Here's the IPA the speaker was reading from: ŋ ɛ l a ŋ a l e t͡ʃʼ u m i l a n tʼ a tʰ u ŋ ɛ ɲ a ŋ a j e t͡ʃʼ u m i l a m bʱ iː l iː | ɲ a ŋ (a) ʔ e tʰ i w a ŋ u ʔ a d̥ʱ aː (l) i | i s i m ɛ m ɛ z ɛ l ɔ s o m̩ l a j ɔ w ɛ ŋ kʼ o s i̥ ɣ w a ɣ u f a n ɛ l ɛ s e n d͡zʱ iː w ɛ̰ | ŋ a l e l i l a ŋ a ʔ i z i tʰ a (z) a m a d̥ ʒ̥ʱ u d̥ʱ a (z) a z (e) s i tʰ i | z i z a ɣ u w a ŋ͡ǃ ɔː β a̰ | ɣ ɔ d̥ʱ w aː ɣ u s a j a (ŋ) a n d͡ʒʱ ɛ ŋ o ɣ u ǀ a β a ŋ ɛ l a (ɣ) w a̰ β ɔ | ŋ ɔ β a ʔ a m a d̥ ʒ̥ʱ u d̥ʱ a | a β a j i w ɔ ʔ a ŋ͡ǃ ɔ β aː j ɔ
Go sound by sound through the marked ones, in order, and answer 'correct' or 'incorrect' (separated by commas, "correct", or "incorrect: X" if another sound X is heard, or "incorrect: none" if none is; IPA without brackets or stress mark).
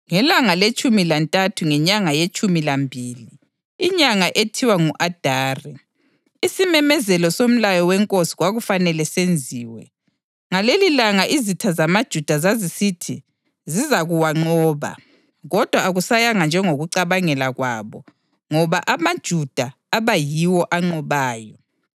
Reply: correct, incorrect: r, correct, correct, incorrect: i, correct, correct